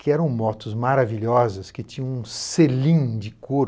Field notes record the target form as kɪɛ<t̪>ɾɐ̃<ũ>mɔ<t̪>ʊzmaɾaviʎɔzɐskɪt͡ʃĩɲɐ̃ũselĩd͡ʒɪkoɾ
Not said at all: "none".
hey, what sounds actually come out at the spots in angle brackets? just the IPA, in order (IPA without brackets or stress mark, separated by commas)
none, w̃, t̪